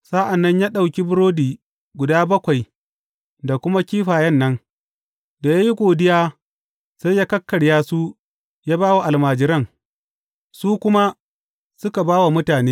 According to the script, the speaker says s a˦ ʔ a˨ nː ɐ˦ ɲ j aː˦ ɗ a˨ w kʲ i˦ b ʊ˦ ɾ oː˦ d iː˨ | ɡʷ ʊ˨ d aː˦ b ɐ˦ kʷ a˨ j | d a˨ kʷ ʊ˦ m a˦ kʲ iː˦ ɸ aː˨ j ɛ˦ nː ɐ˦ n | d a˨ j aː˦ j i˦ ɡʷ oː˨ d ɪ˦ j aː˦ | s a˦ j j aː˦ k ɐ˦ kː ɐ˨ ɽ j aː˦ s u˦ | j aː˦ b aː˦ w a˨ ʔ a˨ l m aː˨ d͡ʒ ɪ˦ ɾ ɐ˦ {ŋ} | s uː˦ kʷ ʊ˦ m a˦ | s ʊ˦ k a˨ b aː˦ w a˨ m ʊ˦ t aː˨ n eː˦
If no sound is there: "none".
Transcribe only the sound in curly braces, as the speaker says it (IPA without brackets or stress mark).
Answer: ŋ